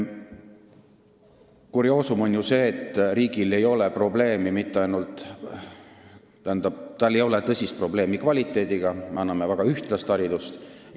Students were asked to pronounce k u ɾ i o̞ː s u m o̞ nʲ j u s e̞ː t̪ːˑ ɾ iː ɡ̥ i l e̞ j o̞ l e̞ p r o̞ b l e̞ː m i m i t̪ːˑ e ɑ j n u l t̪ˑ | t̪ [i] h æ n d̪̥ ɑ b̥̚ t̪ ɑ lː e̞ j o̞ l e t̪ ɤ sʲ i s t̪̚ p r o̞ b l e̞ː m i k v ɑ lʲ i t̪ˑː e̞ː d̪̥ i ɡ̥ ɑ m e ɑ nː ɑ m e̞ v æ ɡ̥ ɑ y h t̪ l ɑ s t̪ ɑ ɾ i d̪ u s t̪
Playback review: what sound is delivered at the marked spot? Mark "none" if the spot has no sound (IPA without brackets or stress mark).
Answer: æ